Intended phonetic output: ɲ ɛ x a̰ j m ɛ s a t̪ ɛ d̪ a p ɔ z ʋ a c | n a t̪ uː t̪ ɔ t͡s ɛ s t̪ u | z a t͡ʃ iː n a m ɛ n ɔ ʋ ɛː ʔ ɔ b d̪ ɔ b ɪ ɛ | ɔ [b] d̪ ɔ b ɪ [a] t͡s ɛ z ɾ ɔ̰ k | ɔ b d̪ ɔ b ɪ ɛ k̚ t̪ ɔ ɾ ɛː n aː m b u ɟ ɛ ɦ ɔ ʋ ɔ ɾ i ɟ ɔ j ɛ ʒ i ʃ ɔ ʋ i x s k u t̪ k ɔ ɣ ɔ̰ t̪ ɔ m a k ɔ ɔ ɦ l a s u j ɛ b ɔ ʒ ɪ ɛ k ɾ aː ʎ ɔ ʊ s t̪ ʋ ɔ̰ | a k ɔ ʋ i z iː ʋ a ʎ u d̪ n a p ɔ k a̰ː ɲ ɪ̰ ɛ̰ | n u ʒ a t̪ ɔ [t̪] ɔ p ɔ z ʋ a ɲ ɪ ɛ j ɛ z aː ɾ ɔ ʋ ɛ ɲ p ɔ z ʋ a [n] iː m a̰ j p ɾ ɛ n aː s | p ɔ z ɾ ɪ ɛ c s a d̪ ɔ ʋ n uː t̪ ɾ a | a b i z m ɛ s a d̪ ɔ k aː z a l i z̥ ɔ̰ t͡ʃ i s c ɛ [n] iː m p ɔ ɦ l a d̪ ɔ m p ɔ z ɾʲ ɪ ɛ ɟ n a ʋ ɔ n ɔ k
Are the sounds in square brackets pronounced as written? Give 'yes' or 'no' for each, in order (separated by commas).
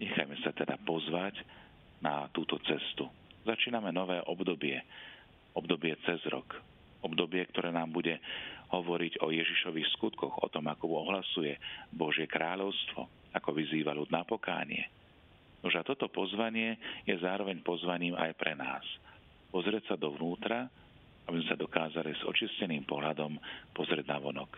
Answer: yes, no, yes, no, yes